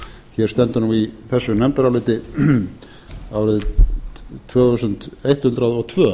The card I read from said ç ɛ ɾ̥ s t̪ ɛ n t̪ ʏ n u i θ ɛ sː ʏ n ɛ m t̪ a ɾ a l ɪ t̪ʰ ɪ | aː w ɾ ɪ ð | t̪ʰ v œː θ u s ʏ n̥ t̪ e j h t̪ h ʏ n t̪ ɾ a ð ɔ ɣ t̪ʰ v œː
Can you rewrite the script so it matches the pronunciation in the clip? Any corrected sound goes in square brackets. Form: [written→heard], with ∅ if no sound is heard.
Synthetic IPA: ç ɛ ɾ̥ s t̪ ɛ n t̪ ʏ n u i θ ɛ sː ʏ n ɛ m t̪ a ɾ a l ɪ [t̪ʰ→t̪] ɪ | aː w ɾ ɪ ð | t̪ʰ v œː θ u s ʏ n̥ t̪ e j h t̪ h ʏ n t̪ ɾ a ð ɔ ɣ t̪ʰ v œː